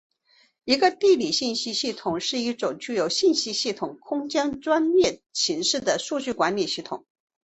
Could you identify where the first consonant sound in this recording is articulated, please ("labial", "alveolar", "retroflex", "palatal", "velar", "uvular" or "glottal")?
velar